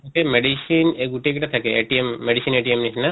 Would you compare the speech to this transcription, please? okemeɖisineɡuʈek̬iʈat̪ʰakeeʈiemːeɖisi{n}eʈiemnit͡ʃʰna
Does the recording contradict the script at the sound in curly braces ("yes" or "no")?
no